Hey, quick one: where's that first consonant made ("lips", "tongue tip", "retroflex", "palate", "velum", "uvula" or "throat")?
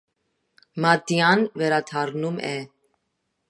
lips